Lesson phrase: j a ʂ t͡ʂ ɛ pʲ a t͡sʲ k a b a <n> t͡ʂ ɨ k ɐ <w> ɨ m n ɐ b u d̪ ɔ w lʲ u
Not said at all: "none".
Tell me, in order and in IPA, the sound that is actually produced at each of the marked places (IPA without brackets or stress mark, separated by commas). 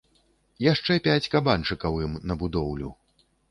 n, w